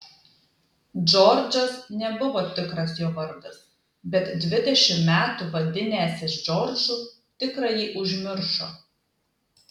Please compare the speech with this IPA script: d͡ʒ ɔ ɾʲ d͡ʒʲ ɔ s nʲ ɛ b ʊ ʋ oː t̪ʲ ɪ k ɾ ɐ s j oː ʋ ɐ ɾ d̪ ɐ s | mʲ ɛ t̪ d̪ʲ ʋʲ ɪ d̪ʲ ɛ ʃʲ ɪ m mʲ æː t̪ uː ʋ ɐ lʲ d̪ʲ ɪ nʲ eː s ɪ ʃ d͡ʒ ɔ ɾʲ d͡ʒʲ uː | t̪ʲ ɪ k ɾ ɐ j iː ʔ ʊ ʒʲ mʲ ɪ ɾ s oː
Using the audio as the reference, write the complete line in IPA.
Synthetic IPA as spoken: d͡ʒ ɔ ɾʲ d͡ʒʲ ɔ s nʲ ɛ b ʊ ʋ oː t̪ʲ ɪ k ɾ ɐ s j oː ʋ ɐ ɾ d̪ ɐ s | bʲ ɛ t̪ d̪ʲ ʋʲ ɪ d̪ʲ ɛ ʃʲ ɪ m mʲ æː t̪ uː ʋ ɐ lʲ d̪ʲ ɪ nʲ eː s ɪ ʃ d͡ʒ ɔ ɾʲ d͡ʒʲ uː | t̪ʲ ɪ k ɾ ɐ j iː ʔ ʊ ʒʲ mʲ ɪ ɾ ʃ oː